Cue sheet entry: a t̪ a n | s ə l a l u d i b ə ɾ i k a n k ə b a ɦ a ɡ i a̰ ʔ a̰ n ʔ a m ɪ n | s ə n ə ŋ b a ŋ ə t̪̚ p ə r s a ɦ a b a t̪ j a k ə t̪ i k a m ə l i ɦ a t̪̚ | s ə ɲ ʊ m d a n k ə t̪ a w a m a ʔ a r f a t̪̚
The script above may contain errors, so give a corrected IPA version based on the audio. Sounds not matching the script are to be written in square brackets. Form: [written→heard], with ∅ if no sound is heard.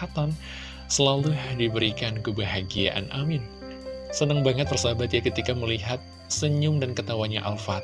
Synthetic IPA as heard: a t̪ a n | s ə l a l u d i b ə ɾ i k a n k ə b a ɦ a ɡ i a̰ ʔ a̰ n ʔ a m ɪ n | s ə n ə ŋ b a ŋ ə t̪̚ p ə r s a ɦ a b a t̪ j a k ə t̪ i k a m ə l i ɦ a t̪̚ | s ə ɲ ʊ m d a n k ə t̪ a w a [m→ɲ] a ʔ a [r→l] f a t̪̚